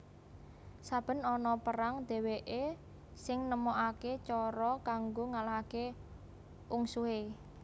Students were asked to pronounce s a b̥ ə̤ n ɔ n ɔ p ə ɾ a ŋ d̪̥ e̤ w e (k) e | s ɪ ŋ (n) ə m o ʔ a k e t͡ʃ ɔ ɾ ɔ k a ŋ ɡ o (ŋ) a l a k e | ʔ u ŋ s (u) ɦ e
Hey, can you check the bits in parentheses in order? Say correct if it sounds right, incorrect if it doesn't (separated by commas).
incorrect, correct, correct, correct